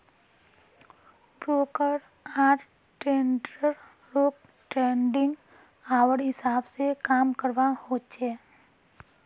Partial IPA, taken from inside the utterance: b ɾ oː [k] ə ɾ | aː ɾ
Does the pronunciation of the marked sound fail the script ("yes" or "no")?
no